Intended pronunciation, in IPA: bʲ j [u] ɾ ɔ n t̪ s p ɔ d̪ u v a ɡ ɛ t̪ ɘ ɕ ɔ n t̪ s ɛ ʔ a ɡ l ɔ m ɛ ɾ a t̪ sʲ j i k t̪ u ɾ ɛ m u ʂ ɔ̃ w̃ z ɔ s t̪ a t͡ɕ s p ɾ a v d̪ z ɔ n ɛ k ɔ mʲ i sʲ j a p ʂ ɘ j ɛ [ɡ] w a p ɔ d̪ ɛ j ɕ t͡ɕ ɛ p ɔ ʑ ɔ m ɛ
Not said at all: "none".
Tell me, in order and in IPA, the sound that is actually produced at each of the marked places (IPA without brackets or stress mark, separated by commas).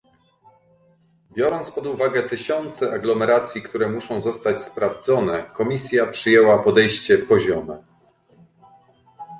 ɔ, none